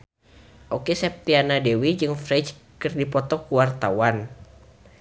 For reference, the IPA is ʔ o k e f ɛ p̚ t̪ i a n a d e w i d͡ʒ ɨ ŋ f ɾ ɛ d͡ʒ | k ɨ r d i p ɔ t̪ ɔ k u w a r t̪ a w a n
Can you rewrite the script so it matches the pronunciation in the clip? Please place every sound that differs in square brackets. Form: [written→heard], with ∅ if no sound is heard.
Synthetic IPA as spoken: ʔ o k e [f→s] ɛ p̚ t̪ i a n a d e w i d͡ʒ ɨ ŋ f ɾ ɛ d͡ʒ | k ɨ r d i p ɔ t̪ ɔ k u w a r t̪ a w a n

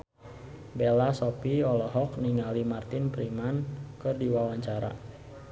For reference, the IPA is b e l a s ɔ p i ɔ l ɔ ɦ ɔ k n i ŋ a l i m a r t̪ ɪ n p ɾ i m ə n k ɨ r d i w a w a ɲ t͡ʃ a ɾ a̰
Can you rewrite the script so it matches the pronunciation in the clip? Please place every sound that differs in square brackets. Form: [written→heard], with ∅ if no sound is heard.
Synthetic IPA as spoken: b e l a s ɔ p i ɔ l ɔ ɦ ɔ k n i ŋ a l i m a r t̪ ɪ n p ɾ i m [ə→a] n k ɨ r d i w a w a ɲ t͡ʃ a ɾ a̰

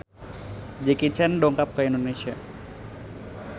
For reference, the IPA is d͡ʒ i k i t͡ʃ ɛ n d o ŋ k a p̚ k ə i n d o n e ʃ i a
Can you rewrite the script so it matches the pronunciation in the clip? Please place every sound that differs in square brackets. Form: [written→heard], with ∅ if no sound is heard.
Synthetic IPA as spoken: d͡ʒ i k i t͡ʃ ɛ n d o ŋ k a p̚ k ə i n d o n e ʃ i a

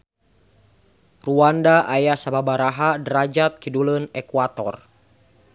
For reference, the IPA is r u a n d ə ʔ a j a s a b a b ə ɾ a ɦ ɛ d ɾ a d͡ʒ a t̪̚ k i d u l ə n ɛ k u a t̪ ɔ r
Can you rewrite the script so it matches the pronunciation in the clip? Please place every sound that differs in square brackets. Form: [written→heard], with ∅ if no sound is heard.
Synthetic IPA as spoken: r u a n d [ə→a] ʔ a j a s a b a b [ə→a] ɾ a ɦ [ɛ→a] d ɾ a d͡ʒ a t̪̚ k i d u l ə n ɛ k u a t̪ ɔ r

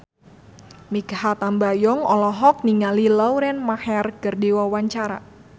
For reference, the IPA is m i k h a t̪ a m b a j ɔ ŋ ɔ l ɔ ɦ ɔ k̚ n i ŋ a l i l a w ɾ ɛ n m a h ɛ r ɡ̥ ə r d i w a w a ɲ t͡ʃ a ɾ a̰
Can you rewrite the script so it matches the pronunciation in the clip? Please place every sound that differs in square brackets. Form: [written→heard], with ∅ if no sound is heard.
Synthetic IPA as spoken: m i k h a t̪ a m b a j ɔ ŋ ɔ l ɔ ɦ ɔ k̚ n i ŋ a l i l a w ɾ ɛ n m a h ɛ r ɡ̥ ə r d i w a w a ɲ t͡ʃ a ɾ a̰

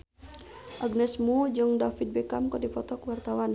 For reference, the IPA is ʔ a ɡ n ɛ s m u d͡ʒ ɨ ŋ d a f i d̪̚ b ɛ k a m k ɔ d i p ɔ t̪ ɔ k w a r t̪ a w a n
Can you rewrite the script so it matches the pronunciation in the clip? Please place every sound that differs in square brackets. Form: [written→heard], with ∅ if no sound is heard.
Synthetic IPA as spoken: ʔ a ɡ n ɛ s m u d͡ʒ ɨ ŋ d a f i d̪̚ b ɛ k a m k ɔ d i p ɔ t̪ ɔ k w a r t̪ a w a n

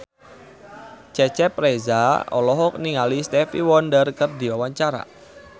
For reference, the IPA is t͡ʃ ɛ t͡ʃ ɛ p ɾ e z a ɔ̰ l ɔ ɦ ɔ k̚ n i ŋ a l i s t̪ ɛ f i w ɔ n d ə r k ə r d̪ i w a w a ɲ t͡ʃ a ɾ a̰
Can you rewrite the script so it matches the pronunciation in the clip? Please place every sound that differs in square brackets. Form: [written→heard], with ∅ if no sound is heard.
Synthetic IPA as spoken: t͡ʃ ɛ t͡ʃ ɛ p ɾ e z a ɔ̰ l ɔ ɦ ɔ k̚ n i ŋ a l i s t̪ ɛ f i w ɔ n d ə r k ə r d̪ i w a w a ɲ t͡ʃ a ɾ a̰

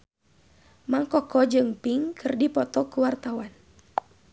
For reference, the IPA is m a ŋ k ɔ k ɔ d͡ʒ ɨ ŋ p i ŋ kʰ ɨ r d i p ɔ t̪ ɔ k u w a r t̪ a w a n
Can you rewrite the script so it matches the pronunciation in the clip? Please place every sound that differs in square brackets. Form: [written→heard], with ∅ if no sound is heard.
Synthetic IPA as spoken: m a ŋ k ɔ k ɔ d͡ʒ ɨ ŋ p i ŋ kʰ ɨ r d i p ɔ t̪ ɔ k u w a r t̪ a w a n

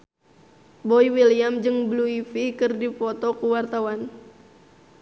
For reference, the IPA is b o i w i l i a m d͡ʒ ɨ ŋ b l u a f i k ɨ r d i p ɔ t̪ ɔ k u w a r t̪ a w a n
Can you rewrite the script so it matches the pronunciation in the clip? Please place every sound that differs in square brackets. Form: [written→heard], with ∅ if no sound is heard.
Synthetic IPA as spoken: b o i w i l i a m d͡ʒ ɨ ŋ b l u [a→i] f i k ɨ r d i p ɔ t̪ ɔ k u w a r t̪ a w a n

